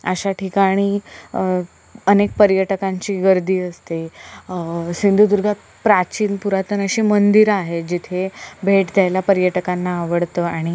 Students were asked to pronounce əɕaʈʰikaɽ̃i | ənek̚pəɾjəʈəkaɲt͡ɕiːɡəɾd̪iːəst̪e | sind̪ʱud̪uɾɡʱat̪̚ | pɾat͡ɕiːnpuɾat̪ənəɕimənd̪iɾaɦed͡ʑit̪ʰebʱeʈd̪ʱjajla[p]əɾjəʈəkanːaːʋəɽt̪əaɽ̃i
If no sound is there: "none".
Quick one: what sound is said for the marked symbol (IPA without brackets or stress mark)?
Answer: p